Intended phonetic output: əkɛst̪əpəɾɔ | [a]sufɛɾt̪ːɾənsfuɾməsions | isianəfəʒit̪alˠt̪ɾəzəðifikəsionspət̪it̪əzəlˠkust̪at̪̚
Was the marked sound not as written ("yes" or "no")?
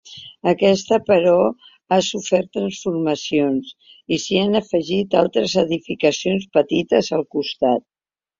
no